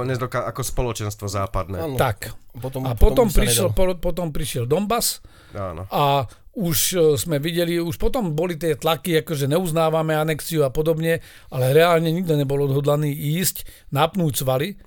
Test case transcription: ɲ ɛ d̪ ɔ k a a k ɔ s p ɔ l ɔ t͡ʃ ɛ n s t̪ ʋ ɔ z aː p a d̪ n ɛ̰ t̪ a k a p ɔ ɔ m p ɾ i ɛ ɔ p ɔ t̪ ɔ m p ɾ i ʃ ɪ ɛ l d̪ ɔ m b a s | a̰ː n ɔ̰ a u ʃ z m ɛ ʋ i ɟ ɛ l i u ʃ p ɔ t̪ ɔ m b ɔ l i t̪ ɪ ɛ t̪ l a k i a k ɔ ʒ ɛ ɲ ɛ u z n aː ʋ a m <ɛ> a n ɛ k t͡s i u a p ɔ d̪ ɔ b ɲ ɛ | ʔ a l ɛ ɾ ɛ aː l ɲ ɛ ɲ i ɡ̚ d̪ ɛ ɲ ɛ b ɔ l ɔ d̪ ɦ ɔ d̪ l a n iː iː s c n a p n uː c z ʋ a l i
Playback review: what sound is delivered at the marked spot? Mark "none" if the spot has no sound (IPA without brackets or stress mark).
ɛ